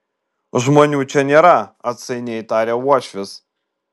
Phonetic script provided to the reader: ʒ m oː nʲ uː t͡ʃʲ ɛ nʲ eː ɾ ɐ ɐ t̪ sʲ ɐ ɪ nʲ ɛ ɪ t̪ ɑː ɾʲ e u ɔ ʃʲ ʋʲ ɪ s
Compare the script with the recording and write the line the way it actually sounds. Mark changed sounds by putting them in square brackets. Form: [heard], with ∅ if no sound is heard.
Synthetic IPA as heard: ʒ m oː nʲ uː t͡ʃʲ ɛ nʲ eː ɾ ɐ ɐ t̪ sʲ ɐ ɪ nʲ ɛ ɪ t̪ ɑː ɾʲ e u ɔ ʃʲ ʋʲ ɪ s